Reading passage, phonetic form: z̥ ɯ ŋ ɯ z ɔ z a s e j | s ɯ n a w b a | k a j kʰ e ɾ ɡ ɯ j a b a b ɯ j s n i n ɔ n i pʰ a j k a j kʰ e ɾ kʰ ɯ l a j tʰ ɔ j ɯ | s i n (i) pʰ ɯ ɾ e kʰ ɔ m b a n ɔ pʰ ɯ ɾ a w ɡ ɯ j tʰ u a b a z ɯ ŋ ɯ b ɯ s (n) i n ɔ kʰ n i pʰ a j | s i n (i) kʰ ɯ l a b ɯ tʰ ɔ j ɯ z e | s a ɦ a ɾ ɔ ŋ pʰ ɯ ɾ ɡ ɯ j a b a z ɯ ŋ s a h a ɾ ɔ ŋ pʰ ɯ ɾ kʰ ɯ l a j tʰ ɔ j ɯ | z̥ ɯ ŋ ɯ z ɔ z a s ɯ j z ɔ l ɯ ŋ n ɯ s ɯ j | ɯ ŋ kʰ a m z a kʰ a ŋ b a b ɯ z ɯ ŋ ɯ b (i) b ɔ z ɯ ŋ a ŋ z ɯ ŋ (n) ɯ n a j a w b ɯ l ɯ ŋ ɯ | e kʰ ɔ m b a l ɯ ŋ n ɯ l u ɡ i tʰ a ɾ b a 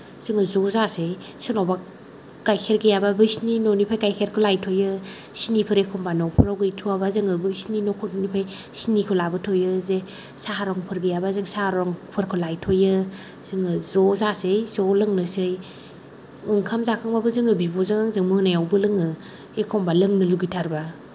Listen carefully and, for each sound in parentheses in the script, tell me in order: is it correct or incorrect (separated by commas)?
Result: correct, correct, correct, correct, incorrect